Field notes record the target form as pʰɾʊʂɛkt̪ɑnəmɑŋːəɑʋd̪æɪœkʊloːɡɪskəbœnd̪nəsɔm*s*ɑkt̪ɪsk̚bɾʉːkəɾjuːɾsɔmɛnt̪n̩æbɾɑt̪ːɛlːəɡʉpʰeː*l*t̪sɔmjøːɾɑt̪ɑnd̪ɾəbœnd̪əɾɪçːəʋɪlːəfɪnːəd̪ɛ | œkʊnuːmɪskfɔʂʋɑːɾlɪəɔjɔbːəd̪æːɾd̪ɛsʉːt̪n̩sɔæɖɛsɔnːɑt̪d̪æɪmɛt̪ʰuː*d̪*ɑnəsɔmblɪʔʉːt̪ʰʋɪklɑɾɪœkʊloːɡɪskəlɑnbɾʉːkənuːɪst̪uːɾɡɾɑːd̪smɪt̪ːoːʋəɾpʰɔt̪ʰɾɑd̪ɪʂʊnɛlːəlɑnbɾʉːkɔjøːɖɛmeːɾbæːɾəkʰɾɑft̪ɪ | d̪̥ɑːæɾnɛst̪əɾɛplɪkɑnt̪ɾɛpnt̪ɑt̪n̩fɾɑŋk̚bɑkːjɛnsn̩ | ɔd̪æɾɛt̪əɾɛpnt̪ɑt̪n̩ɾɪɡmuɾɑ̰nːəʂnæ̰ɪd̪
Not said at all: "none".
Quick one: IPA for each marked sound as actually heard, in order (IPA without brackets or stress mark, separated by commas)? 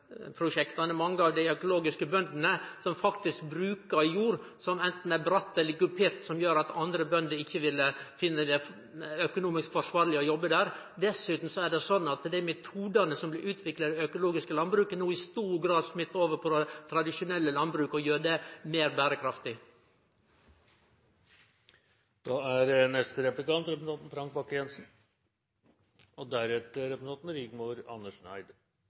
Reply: f, ɾ, d̪